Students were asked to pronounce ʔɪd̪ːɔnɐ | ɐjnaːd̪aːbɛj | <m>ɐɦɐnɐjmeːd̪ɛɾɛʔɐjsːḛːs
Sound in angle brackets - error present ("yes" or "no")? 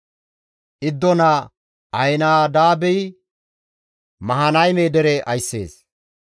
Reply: no